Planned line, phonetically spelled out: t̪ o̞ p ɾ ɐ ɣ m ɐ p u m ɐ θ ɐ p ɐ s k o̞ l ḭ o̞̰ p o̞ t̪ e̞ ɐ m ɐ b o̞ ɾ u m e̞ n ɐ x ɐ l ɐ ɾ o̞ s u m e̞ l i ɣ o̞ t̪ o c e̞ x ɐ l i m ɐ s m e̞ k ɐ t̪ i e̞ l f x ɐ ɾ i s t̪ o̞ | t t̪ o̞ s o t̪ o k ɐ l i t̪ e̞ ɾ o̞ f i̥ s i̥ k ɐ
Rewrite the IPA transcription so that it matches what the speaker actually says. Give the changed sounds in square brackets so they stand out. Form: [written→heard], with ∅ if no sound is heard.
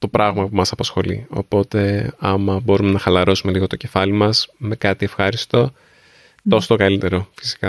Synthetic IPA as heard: t̪ o̞ p ɾ ɐ ɣ m ɐ p u m ɐ [θ→s] ɐ p ɐ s [k→x] o̞ l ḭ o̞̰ p o̞ t̪ e̞ ɐ m ɐ b o̞ ɾ u m e̞ n ɐ x ɐ l ɐ ɾ o̞ s u m e̞ l i ɣ o̞ t̪ o c e̞ [x→f] ɐ l i m ɐ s m e̞ k ɐ t̪ i e̞ [l→∅] f x ɐ ɾ i s t̪ o̞ | t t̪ o̞ s o t̪ o k ɐ l i t̪ e̞ ɾ o̞ f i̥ s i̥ k ɐ